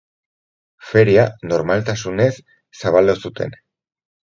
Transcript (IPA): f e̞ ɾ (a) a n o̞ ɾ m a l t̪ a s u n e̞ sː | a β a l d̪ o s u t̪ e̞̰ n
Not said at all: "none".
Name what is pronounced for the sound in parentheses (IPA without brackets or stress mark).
i